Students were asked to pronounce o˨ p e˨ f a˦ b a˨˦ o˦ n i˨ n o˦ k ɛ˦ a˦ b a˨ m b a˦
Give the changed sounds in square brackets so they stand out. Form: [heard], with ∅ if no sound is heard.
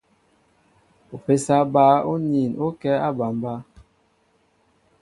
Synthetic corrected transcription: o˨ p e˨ [s] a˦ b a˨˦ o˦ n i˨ n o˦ k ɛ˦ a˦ b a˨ m b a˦